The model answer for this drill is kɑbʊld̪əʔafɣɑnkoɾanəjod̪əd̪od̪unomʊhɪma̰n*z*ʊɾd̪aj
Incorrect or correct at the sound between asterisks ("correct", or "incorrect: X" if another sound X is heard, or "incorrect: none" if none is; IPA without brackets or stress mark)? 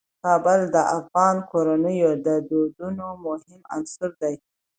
incorrect: s